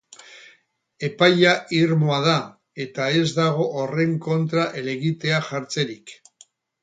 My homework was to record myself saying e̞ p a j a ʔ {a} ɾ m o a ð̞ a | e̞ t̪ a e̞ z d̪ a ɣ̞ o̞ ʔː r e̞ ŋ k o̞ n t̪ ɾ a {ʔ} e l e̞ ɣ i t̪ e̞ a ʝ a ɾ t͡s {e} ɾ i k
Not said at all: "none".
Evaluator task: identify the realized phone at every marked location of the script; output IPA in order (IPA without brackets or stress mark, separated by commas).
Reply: i, ʔ, e